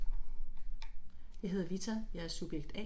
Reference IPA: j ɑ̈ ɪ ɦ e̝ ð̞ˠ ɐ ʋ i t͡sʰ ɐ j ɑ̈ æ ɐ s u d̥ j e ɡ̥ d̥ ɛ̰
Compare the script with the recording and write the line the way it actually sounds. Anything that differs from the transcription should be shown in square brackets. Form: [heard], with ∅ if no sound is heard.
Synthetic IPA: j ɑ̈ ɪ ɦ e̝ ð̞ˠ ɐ ʋ i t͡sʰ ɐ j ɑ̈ æ ɐ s u [b̥] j e ɡ̥ d̥ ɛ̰